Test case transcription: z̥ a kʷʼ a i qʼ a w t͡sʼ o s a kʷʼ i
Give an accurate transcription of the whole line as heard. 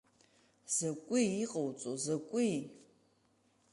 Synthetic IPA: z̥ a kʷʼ i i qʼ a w t͡sʼ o z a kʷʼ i